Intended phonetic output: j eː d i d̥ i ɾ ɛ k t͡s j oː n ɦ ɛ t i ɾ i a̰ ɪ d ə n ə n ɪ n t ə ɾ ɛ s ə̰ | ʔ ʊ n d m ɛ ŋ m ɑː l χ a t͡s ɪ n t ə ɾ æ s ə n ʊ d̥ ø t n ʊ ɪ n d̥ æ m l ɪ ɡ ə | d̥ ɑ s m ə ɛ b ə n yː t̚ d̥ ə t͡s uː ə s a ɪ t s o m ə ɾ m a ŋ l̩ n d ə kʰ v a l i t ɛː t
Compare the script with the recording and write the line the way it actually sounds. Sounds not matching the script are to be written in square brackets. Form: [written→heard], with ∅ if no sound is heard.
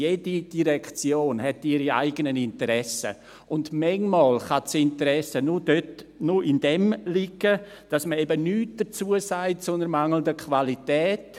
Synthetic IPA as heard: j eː d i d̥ i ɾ ɛ k t͡s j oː n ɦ ɛ t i ɾ i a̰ ɪ [d→ɡ] ə n ə n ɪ n t ə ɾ ɛ s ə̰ | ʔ ʊ n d m ɛ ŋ m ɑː l χ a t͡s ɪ n t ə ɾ [æ→ɛ] s ə n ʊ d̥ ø t n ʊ ɪ n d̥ [æ→ɛ] m l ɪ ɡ ə | d̥ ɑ s m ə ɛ b ə n yː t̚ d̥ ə t͡s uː ə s a ɪ t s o [m→n] ə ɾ m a ŋ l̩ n d ə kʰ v a l i t ɛː t